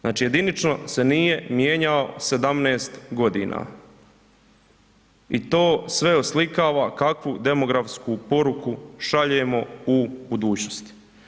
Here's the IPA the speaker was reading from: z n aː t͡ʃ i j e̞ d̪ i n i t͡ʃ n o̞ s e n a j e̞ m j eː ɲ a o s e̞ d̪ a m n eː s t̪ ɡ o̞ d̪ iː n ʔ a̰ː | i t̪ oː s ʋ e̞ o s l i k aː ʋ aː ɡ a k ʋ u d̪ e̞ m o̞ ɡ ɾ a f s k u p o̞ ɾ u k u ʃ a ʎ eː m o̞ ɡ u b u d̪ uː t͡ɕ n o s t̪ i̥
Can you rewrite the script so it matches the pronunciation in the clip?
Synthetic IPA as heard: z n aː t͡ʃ i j e̞ d̪ i n i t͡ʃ n o̞ s e n i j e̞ m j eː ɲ a o s e̞ d̪ a m n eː s t̪ ɡ o̞ d̪ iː n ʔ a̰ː | i t̪ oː s ʋ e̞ o s l i k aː ʋ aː k a k ʋ u d̪ e̞ m o̞ ɡ ɾ a f s k u p o̞ ɾ u k u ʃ a ʎ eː m o̞ u b u d̪ uː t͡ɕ n o s t̪ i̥